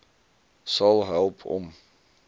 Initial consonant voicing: voiceless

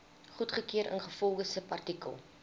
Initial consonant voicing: voiceless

